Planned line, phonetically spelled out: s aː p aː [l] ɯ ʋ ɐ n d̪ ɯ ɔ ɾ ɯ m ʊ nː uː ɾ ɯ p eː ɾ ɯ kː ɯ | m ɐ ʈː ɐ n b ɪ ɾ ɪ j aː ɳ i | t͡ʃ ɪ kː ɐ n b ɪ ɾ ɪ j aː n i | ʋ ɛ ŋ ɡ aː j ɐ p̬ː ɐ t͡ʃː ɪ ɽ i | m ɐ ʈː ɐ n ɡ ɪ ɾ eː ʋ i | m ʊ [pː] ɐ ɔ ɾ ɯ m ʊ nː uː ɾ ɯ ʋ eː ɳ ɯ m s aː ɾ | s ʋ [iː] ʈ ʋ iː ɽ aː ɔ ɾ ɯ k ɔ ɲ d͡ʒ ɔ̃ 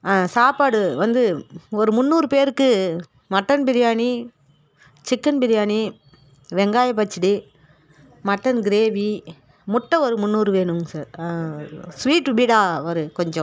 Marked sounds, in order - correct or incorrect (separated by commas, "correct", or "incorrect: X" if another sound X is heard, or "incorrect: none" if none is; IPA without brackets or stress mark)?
incorrect: ɽ, incorrect: ʈː, correct